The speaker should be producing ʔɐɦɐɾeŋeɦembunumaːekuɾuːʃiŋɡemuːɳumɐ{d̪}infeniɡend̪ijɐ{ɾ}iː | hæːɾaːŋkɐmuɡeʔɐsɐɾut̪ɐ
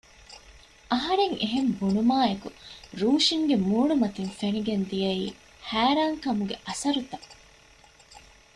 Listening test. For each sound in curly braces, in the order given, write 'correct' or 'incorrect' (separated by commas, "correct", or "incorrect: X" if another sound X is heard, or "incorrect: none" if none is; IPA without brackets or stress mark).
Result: incorrect: t̪, incorrect: none